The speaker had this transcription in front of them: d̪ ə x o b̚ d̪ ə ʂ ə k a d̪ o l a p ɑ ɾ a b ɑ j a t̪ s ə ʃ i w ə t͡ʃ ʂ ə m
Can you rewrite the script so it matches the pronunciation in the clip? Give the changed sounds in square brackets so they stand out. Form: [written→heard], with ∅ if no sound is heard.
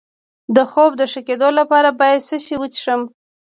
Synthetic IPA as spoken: d̪ ə x o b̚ d̪ ə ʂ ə k [a→e] d̪ o l a p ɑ ɾ a b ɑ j a [t̪→d̪] s ə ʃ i w ə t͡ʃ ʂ ə m